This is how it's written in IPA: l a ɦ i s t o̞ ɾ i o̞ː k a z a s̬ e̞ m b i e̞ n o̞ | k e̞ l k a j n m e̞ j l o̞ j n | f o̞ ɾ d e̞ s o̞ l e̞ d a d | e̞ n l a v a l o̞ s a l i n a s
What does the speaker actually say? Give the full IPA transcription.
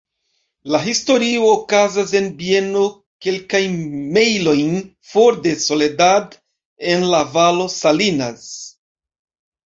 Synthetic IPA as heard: l a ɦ i s t o̞ ɾ i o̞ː k a z a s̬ e̞ n b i e̞ n o̞ | k e̞ l k a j n m e̞ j l o̞ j n | f o̞ ɾ d e̞ s o̞ l e̞ d a d | e̞ n l a v a l o̞ s a l i n a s